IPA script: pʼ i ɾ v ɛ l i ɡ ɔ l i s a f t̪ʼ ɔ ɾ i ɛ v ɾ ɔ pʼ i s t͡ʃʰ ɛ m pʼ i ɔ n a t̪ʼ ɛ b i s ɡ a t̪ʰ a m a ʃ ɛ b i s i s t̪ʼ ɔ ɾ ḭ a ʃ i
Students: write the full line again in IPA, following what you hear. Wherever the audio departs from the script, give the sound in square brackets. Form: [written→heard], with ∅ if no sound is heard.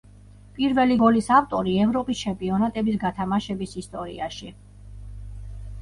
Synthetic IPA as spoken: pʼ i ɾ v ɛ l i ɡ ɔ l i s a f t̪ʼ ɔ ɾ i ɛ v ɾ ɔ pʼ i s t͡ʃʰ ɛ m pʼ i ɔ n a t̪ʼ ɛ b i s ɡ a t̪ʰ a m a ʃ ɛ b i s i s t̪ʼ ɔ ɾ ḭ a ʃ i

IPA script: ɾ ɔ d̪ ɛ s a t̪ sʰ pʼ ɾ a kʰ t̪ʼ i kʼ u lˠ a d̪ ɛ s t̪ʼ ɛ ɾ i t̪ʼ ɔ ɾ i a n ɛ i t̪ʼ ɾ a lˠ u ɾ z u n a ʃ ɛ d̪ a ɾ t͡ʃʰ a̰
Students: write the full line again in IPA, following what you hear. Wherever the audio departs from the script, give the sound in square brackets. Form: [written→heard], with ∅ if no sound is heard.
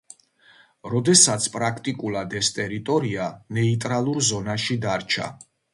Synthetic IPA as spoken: ɾ ɔ d̪ ɛ s a t̪ sʰ pʼ ɾ a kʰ t̪ʼ i kʼ u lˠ a d̪ ɛ s t̪ʼ ɛ ɾ i t̪ʼ ɔ ɾ i a n ɛ i t̪ʼ ɾ a lˠ u ɾ z [u→ɔ] n a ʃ [ɛ→i] d̪ a ɾ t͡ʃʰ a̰

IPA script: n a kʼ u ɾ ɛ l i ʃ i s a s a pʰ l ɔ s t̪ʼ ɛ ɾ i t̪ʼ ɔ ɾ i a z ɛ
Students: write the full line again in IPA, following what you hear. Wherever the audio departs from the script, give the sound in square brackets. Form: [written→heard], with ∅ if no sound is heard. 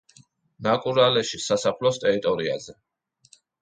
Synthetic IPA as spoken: n a kʼ u ɾ [ɛ→a] l [i→ɛ] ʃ i s a s a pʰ l ɔ s t̪ʼ ɛ ɾ i t̪ʼ ɔ ɾ i a z ɛ

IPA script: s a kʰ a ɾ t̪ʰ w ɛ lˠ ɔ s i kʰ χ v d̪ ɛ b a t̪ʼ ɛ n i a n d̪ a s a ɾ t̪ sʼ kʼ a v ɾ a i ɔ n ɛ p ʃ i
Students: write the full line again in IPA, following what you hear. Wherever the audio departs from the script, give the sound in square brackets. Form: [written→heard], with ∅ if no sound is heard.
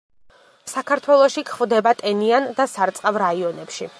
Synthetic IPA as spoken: s a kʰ a ɾ t̪ʰ w ɛ lˠ ɔ [s→ʃ] i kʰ χ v d̪ ɛ b a t̪ʼ ɛ n i a n d̪ a s a ɾ t̪ sʼ [kʼ→qʼ] a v ɾ a i ɔ n ɛ p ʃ i

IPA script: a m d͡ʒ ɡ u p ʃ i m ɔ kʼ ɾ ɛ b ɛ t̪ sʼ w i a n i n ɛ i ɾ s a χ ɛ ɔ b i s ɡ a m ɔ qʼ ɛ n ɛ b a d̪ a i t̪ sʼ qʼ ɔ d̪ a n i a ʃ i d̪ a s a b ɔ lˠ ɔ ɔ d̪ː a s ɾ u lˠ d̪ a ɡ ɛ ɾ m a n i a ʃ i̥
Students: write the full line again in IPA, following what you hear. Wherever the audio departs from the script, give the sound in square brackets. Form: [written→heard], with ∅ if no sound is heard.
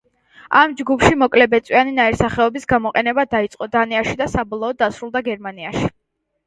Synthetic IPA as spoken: a m d͡ʒ ɡ u p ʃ i m ɔ kʼ [ɾ→l] ɛ b ɛ t̪ sʼ w i a n i n [ɛ→a] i ɾ s a χ ɛ ɔ b i s ɡ a m ɔ qʼ ɛ n ɛ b a d̪ a i t̪ sʼ qʼ ɔ d̪ a n i a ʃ i d̪ a s a b ɔ lˠ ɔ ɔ d̪ː a s ɾ u lˠ d̪ a ɡ ɛ ɾ m a n i a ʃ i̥

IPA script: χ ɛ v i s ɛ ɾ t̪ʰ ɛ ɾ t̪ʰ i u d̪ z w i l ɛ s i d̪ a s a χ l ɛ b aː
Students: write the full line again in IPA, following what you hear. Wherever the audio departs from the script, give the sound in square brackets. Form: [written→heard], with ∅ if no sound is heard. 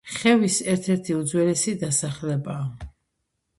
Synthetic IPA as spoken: χ ɛ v i s ɛ ɾ t̪ʰ ɛ ɾ t̪ʰ i u d̪ z w [i→ɛ] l ɛ s i d̪ a s a χ l ɛ b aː

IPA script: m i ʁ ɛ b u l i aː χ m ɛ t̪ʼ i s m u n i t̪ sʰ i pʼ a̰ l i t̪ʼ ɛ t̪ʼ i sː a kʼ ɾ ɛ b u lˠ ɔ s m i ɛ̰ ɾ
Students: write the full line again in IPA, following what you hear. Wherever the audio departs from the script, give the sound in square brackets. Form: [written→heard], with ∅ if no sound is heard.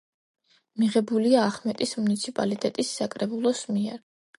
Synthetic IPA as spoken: m i ʁ ɛ b u l i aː χ m ɛ t̪ʼ i s m u n i t̪ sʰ i pʼ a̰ l i t̪ʼ ɛ t̪ʼ i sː a kʼ ɾ ɛ b u lˠ ɔ s m i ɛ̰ ɾ

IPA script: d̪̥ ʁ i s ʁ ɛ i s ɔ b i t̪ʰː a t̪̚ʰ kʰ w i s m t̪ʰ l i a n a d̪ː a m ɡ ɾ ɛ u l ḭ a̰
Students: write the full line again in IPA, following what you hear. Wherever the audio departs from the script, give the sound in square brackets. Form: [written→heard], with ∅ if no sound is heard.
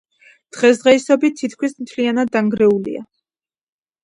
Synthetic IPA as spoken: d̪̥ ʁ [i→ɛ] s ʁ ɛ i s ɔ b i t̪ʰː [a→i] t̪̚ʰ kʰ w i s m t̪ʰ l i a n a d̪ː a [m→ŋ] ɡ ɾ ɛ u l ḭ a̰

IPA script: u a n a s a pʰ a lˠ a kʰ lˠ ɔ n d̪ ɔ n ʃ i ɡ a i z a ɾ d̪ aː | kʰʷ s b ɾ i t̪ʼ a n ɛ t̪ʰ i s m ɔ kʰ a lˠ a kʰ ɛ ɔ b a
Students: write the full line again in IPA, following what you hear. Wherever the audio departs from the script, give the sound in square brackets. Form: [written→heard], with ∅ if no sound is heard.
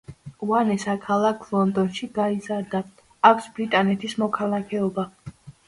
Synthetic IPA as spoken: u a n [a→ɛ] s a [pʰ→kʰ] a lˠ a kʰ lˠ ɔ n d̪ ɔ n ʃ i ɡ a i z a ɾ d̪ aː | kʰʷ s b ɾ i t̪ʼ a n ɛ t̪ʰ i s m ɔ kʰ a lˠ a kʰ ɛ ɔ b a

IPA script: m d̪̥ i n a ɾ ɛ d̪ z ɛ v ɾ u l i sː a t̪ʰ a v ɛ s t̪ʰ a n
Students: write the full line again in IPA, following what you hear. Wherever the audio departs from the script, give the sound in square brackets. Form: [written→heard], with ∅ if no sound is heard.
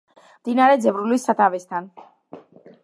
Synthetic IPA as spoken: m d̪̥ i n a ɾ ɛ d̪ z ɛ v ɾ u l i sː a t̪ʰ a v ɛ s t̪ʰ a n

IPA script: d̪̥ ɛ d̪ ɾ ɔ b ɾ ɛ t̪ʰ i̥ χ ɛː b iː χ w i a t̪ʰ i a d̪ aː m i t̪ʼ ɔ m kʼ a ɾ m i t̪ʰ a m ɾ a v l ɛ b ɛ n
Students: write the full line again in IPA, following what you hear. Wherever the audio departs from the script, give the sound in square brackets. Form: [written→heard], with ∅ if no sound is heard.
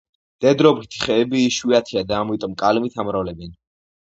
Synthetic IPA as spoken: d̪̥ ɛ d̪ ɾ ɔ b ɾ [ɛ→i] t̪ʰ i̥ χ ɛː b iː [χ→ʃ] w i a t̪ʰ i a d̪ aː m i t̪ʼ ɔ m kʼ a [ɾ→l] m i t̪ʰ a m ɾ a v l ɛ b ɛ n

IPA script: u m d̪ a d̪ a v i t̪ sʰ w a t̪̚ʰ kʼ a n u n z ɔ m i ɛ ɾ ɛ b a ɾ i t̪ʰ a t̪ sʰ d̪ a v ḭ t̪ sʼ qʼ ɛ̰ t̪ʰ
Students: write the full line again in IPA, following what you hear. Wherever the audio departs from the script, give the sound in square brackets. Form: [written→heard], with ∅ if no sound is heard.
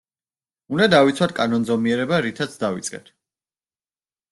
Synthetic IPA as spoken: u [m→n] d̪ a d̪ a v i t̪ sʰ w a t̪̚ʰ kʼ a n [u→ɔ] n z ɔ m i ɛ ɾ ɛ b a ɾ i t̪ʰ a t̪ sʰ d̪ a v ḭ t̪ sʼ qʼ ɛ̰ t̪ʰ

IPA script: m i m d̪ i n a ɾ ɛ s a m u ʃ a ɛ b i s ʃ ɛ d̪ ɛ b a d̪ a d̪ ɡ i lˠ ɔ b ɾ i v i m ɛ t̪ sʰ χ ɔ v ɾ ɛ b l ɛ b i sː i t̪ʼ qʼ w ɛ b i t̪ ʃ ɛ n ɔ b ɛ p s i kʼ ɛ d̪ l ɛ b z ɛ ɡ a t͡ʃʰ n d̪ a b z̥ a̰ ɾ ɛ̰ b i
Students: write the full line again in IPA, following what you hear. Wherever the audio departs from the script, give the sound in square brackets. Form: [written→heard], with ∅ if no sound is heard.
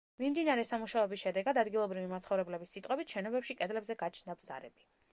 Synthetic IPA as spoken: m i m d̪ i n a ɾ ɛ s a m u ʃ a ɛ b i s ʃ ɛ d̪ ɛ [b→ɡ] a d̪ a d̪ ɡ i lˠ ɔ b ɾ i v i m [ɛ→a] t̪ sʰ χ ɔ v ɾ ɛ b l ɛ b i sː i t̪ʼ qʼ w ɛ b i t̪ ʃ ɛ n ɔ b ɛ p [s→ʃ] i kʼ ɛ d̪ l ɛ b z ɛ ɡ a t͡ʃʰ n d̪ a b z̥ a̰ ɾ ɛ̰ b i

